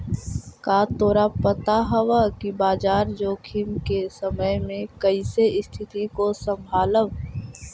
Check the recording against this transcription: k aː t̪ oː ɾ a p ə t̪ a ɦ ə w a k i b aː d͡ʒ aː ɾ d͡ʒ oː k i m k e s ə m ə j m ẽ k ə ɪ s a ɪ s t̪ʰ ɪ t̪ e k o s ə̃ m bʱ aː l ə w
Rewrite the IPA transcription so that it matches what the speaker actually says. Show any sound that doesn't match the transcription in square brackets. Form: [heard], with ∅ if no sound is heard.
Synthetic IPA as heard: k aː t̪ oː ɾ a p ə t̪ a ɦ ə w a k i b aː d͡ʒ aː ɾ d͡ʒ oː [kʰ] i m k e s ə m ə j m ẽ k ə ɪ s [e] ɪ s t̪ʰ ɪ t̪ [i] k o s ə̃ m bʱ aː l ə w